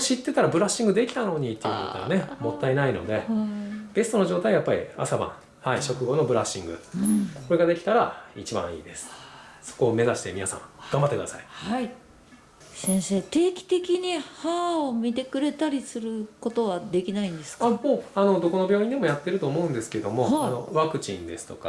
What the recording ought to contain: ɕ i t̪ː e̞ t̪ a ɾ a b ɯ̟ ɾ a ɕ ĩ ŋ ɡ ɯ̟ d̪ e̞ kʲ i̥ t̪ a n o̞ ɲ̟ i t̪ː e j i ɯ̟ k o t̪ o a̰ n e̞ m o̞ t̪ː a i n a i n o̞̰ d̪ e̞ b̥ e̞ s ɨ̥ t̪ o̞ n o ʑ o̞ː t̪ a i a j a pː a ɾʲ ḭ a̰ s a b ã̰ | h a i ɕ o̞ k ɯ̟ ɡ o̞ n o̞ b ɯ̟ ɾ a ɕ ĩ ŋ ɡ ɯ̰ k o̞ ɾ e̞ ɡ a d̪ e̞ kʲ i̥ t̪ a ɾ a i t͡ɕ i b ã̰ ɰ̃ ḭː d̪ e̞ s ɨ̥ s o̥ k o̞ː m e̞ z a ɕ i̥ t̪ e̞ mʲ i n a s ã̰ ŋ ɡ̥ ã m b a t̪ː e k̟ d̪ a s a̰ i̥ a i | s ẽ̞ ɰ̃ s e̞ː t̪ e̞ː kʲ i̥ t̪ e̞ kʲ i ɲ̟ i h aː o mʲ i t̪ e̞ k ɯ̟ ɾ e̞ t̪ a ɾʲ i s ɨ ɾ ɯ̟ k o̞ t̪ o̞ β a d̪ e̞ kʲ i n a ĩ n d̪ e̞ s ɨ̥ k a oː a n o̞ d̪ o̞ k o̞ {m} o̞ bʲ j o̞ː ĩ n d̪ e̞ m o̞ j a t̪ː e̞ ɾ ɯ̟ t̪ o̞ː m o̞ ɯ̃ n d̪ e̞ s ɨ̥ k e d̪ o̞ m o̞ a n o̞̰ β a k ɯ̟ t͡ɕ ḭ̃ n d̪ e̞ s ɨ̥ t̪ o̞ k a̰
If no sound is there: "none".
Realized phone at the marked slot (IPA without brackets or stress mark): n